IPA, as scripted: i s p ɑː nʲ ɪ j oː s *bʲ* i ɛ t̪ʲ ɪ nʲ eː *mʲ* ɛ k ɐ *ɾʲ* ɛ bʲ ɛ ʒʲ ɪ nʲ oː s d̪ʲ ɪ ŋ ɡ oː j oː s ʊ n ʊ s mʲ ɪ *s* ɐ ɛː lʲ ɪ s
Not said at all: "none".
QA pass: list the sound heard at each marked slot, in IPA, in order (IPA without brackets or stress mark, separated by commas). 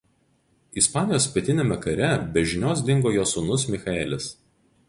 pʲ, mʲ, ɾʲ, x